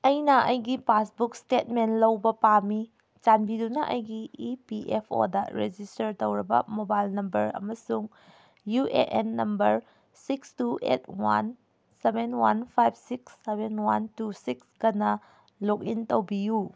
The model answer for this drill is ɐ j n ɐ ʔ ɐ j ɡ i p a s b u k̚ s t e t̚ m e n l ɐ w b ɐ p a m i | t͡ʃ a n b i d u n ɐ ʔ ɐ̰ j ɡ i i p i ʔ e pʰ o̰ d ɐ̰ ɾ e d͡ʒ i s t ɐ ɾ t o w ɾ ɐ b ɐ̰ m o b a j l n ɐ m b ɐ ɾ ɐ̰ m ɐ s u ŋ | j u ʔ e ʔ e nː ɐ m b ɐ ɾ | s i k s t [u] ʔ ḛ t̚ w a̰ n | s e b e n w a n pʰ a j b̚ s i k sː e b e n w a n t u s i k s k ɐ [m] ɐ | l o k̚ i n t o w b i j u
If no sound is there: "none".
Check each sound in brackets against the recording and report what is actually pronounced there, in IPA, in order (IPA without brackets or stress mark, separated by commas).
u, n